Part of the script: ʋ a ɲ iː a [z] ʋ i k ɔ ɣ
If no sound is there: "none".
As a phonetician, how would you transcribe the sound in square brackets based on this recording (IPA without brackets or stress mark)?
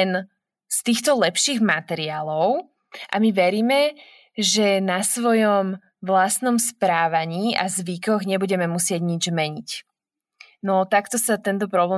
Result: z